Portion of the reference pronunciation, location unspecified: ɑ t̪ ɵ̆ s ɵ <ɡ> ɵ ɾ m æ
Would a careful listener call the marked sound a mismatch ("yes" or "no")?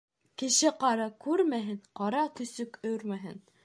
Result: yes